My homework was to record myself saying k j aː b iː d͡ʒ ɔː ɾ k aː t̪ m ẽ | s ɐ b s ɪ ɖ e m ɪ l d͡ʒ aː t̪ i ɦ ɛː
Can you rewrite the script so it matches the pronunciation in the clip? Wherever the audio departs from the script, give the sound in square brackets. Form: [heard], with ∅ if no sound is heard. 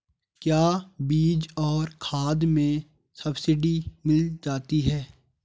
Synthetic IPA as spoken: k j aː b iː d͡ʒ ɔː ɾ [kʰ] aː [d̪] m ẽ | s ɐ b s ɪ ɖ [i] m ɪ l d͡ʒ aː t̪ i ɦ ɛː